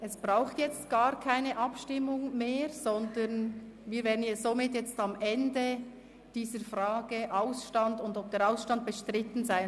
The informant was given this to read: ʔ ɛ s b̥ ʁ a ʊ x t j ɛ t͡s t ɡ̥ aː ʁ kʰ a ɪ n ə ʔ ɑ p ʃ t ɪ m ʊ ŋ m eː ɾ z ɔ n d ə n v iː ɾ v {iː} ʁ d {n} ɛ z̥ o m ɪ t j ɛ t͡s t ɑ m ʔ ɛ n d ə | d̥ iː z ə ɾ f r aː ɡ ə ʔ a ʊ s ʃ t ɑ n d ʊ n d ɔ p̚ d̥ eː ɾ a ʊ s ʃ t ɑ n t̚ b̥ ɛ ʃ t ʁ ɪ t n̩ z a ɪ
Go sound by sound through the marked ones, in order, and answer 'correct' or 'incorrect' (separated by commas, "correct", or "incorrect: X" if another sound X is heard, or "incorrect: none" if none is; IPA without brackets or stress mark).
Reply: incorrect: ɛː, correct